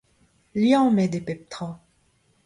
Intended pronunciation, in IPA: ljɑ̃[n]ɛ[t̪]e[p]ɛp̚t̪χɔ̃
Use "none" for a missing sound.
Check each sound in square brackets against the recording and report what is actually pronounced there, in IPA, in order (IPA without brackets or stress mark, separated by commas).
m, d̪, p